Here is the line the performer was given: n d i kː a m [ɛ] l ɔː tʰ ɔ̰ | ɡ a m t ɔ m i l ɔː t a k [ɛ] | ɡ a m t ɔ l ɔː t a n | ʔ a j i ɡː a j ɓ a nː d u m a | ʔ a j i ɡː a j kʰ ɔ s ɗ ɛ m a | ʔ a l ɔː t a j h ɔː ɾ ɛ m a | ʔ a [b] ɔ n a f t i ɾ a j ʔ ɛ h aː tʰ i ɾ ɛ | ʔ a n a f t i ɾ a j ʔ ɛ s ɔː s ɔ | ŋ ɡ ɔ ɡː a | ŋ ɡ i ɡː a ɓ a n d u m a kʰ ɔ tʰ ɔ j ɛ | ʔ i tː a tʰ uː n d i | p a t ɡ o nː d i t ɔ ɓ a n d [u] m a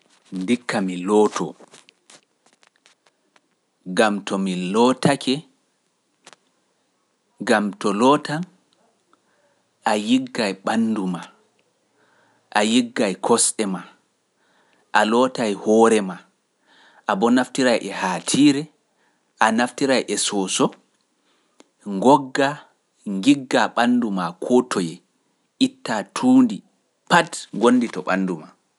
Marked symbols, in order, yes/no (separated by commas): no, yes, yes, yes